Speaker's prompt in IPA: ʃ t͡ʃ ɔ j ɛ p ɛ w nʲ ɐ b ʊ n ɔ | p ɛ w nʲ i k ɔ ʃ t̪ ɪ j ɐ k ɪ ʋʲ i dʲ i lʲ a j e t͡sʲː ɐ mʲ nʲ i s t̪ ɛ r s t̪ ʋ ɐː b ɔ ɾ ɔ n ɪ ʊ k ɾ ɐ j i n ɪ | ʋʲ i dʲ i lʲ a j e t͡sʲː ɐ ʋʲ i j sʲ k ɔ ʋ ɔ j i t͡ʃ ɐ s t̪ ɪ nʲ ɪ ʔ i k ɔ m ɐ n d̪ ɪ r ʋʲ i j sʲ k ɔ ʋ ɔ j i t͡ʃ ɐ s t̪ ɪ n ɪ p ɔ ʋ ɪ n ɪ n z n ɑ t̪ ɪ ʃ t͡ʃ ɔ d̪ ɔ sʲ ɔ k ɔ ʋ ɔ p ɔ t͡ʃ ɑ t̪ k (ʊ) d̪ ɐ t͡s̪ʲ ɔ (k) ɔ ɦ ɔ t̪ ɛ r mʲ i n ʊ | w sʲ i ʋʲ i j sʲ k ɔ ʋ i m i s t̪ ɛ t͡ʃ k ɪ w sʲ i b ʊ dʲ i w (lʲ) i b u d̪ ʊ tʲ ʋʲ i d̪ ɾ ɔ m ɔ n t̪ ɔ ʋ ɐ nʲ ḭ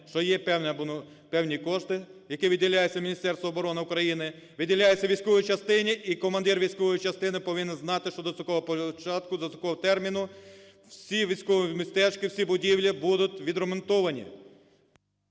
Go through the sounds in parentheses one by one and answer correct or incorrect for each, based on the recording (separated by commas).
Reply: correct, correct, correct